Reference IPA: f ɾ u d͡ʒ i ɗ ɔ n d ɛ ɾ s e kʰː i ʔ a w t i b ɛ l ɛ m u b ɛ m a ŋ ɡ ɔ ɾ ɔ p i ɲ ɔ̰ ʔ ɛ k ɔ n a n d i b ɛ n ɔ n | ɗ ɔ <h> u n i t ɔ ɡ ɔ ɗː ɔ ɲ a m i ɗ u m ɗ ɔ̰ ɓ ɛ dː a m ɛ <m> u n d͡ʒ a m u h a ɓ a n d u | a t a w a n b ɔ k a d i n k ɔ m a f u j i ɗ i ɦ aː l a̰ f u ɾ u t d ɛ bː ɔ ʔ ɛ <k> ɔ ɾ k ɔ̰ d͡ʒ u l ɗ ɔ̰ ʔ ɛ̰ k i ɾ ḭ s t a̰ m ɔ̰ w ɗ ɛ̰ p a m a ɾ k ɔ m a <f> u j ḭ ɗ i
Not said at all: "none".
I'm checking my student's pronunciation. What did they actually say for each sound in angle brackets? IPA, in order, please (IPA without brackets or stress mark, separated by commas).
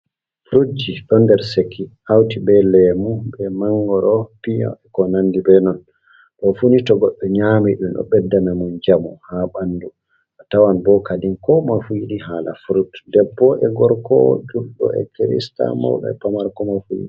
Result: f, m, ɡ, f